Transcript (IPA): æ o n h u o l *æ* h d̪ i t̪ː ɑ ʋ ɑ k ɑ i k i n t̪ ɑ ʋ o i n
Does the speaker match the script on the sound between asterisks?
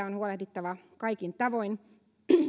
no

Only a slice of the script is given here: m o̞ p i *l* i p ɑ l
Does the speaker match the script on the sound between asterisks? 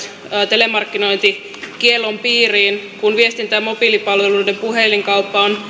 yes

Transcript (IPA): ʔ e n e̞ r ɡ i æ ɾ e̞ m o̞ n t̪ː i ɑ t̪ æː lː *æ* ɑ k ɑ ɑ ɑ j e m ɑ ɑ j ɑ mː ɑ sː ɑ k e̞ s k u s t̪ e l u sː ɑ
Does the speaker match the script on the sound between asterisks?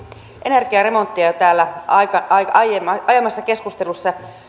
yes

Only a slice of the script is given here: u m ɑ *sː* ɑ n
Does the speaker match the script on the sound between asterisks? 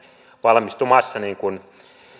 yes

